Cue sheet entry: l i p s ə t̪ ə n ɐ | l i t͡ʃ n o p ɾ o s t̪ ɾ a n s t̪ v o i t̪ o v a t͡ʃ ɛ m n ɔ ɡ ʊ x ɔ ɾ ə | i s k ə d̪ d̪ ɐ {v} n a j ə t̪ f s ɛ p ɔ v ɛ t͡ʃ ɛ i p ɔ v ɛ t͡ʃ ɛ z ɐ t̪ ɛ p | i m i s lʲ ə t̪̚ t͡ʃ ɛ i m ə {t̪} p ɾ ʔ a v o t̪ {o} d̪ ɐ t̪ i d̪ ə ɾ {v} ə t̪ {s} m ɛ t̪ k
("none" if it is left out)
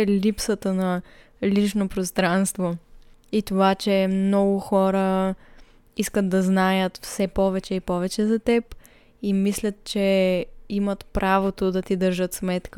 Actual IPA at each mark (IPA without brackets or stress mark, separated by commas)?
z, t̪, o, ʒ, s